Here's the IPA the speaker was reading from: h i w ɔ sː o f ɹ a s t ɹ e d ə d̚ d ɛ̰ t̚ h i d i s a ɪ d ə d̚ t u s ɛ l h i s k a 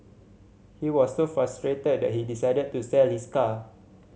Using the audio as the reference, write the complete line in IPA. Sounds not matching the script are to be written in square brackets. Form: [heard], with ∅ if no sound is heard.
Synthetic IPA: h i w ɔ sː o f ɹ a s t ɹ e [t] ə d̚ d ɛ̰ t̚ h i d i s a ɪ d ə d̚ t u s ɛ l h i s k a

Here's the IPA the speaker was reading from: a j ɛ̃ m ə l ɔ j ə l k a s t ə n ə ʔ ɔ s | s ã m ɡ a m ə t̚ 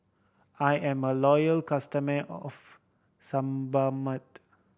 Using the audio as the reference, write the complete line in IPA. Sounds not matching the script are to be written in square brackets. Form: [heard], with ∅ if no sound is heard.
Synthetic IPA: a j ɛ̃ m ə l ɔ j ə l k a s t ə [m] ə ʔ ɔ [f] | s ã m [b] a m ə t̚

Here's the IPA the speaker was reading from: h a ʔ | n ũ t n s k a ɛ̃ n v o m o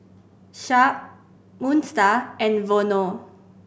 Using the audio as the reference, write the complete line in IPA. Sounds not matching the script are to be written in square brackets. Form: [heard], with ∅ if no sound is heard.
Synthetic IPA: [ʃ] a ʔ | [m] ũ [∅] n s [t] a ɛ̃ n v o [n] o

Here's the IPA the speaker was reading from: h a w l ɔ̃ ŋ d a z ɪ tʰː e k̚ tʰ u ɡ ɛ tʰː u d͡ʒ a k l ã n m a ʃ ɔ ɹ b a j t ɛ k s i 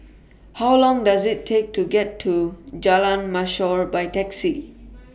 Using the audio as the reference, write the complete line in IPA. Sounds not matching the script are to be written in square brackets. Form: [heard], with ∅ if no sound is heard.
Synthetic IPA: h a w l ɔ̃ ŋ d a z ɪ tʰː e k̚ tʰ u ɡ ɛ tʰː u d͡ʒ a [∅] l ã n m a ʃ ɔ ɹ b a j t ɛ k s i

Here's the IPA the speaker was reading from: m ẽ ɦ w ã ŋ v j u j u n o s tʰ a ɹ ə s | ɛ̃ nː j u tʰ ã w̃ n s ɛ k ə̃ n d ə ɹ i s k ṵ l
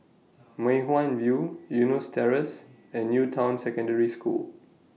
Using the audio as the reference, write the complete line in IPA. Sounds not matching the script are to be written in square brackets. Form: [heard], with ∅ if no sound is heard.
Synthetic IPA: m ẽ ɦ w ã [n] v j u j u n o s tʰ [ɛ] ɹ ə s | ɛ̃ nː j u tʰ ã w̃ n s ɛ k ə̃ n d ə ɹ i s k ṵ l

